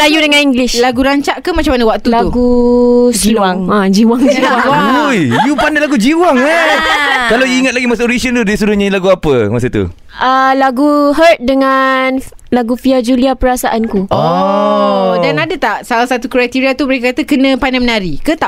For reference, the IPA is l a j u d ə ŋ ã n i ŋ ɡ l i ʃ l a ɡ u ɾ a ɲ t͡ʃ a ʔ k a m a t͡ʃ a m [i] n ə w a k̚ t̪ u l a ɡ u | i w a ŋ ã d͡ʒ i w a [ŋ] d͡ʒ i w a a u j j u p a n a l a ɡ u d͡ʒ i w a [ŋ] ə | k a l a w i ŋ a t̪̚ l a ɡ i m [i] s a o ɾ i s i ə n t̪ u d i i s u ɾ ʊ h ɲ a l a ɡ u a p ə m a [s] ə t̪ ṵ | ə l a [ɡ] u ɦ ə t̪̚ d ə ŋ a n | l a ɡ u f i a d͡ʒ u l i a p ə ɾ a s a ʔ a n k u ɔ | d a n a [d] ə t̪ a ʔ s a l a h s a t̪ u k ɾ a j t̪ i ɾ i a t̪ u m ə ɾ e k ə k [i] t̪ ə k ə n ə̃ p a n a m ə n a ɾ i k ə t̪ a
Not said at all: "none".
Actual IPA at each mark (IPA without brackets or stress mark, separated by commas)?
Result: a, ŋ, ŋ, a, s, ɡ, d, a